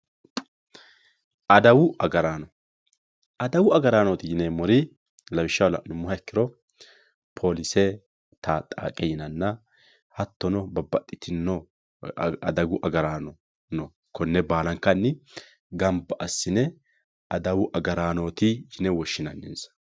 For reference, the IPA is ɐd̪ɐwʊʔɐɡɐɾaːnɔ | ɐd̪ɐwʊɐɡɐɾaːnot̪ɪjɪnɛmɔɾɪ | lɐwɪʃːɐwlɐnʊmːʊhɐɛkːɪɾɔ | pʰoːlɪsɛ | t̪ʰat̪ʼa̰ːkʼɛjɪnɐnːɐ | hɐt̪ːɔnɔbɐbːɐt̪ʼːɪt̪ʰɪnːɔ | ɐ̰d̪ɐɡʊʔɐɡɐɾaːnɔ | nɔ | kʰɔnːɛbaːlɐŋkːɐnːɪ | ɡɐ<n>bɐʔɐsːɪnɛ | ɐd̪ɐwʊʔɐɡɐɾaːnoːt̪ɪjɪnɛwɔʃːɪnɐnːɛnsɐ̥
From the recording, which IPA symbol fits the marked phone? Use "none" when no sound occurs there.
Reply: m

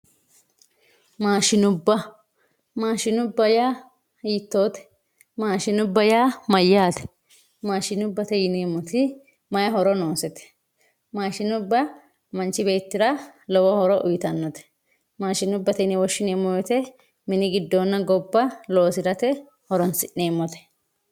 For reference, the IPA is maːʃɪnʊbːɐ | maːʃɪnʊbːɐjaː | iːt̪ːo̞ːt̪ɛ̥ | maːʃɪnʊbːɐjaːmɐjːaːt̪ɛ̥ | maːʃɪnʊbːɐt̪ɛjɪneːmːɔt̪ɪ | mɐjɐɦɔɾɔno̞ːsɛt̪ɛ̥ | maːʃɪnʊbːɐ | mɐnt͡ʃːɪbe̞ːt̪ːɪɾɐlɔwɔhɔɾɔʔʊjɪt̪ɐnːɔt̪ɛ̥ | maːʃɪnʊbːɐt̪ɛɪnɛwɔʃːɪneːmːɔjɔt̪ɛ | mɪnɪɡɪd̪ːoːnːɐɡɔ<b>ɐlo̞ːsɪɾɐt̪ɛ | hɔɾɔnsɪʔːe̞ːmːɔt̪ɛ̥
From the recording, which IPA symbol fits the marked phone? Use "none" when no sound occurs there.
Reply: bː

